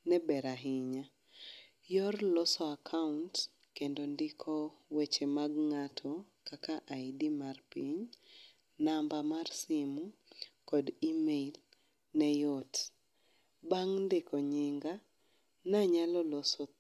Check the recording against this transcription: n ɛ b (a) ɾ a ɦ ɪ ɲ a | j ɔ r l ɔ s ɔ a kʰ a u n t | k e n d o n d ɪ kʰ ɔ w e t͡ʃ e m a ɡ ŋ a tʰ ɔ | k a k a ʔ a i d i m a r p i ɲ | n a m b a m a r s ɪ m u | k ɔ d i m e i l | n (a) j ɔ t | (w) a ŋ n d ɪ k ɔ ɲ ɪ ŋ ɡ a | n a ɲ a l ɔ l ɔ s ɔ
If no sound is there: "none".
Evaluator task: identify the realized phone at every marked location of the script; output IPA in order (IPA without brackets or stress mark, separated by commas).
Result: ɛ, ɛ, b